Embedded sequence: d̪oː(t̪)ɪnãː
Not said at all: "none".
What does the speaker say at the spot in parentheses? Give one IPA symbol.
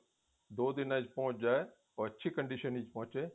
d̪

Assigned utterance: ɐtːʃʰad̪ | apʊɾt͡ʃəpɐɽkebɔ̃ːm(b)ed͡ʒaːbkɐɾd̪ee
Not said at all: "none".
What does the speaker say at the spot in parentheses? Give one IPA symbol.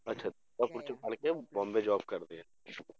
b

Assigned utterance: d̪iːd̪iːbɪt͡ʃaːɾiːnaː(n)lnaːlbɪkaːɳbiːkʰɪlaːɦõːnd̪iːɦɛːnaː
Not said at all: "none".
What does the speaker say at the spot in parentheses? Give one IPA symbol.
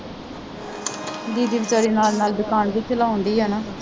none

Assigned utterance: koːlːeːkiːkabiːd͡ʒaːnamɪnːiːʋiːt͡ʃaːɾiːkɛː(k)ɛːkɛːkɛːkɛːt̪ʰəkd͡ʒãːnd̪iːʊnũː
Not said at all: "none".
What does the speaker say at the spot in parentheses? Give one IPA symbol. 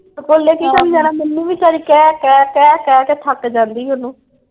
k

